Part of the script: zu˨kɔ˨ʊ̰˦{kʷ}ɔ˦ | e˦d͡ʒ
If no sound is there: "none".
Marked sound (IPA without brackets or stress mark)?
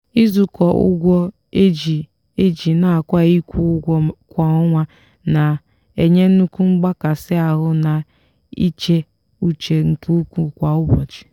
ɡʷ